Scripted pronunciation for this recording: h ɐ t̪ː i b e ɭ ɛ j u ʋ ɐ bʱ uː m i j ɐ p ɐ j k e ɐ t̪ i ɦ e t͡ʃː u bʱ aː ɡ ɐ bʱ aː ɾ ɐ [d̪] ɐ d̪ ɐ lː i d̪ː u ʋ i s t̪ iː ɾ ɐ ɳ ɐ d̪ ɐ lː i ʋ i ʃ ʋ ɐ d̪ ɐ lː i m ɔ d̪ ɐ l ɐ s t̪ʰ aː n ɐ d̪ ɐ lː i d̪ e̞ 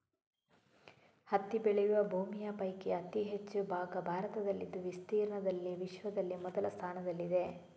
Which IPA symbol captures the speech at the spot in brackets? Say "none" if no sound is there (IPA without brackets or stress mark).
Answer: t̪